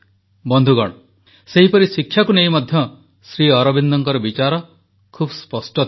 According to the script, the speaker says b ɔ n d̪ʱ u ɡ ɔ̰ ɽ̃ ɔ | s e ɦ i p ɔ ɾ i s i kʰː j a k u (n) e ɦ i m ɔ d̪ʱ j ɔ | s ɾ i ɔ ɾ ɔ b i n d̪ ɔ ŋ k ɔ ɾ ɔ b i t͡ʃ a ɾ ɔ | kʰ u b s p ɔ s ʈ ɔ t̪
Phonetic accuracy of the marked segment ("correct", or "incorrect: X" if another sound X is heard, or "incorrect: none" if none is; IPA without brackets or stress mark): correct